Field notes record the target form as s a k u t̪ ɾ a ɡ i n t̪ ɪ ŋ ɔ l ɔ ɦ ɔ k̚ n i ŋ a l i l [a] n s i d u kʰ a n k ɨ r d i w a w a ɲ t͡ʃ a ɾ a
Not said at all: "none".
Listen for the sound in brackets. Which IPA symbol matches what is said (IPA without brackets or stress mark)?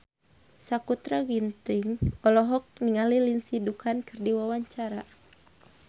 i